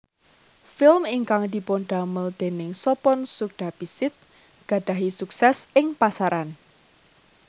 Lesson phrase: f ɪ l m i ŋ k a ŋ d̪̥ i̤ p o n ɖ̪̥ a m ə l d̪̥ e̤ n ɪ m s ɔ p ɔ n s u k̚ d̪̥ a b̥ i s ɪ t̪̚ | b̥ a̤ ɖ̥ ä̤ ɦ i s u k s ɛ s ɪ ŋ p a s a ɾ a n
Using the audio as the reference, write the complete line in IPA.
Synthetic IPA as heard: f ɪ l m i ŋ k a ŋ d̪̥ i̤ p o n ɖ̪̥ a m ə l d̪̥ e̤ n ɪ ŋ s ɔ p ɔ n s u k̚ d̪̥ a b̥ i s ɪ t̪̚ | ɡ̥ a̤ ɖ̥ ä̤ ɦ i s u k s ɛ s ɪ ŋ p a s a ɾ a n